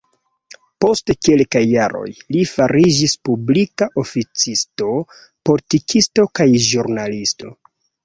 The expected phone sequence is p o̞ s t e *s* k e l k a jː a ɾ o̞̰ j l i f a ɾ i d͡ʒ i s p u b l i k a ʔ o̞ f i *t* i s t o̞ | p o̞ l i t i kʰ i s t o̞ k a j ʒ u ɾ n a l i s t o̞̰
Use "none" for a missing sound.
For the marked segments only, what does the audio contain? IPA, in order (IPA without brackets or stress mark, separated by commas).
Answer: none, t͡s